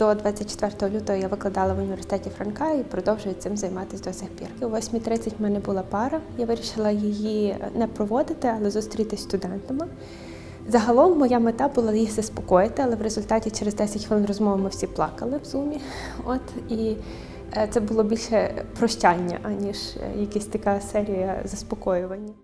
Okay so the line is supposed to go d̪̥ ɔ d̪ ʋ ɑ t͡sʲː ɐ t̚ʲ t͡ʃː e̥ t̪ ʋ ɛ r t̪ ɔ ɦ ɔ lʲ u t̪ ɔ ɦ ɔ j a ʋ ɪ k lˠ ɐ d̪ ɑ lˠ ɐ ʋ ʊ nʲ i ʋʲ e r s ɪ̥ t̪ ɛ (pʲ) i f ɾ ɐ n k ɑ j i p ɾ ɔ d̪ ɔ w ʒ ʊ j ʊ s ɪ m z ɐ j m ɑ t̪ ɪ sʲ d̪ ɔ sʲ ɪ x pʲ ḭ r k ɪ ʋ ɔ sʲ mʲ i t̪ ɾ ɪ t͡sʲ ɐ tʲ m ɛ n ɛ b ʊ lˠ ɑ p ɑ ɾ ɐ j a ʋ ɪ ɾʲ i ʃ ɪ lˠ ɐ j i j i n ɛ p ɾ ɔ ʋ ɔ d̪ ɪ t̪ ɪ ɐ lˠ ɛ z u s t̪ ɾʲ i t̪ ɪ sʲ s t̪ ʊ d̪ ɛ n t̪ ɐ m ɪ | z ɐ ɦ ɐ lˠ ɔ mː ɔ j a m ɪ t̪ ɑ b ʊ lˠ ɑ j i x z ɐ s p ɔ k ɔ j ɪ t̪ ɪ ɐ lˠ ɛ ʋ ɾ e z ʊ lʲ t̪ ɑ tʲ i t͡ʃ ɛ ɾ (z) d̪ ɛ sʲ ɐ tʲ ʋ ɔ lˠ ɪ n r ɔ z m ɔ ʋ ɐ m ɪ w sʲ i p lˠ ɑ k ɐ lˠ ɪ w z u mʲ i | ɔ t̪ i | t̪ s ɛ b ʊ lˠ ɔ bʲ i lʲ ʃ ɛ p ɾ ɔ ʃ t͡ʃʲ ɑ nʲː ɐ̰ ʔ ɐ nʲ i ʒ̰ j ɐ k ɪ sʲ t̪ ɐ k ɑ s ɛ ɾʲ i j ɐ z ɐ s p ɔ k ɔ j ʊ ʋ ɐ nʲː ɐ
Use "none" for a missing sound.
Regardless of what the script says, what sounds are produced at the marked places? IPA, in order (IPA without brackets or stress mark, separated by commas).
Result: tʲ, z